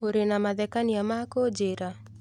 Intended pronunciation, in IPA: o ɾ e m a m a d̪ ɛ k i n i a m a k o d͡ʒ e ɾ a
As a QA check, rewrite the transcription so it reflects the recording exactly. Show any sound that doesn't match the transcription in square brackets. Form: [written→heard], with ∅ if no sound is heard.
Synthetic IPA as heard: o ɾ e [m→n] a m a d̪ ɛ k [i→a] n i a m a k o d͡ʒ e ɾ a